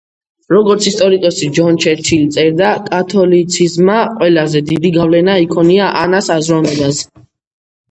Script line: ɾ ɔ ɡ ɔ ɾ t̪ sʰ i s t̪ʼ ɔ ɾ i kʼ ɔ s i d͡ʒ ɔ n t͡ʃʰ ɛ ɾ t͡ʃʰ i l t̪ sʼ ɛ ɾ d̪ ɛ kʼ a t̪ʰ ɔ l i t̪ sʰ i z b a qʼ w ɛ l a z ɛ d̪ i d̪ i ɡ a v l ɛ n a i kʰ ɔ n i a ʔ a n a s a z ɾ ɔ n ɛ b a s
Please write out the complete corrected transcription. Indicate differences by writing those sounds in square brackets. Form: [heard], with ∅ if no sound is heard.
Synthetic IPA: ɾ ɔ ɡ ɔ ɾ t̪ sʰ i s t̪ʼ ɔ ɾ i kʼ ɔ s i d͡ʒ ɔ n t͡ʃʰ ɛ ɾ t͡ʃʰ i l t̪ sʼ ɛ ɾ d̪ [a] kʼ a t̪ʰ ɔ l i t̪ sʰ i z [m] a qʼ w ɛ l a z ɛ d̪ i d̪ i ɡ a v l ɛ n a i kʰ ɔ n i a ʔ a n a s a z ɾ ɔ n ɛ b a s